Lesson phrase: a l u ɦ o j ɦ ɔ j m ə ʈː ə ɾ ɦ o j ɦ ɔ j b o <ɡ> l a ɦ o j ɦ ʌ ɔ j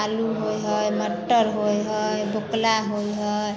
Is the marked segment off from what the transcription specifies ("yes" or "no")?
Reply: yes